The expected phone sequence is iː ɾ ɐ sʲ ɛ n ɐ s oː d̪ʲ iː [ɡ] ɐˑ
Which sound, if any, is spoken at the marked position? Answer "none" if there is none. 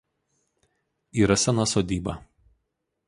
b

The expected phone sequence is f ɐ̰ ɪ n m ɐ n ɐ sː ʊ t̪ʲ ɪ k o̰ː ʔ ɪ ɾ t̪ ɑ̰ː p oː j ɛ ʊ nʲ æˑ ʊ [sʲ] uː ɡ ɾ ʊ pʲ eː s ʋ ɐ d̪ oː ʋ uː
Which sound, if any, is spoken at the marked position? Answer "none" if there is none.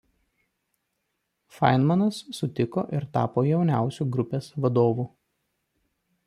sʲ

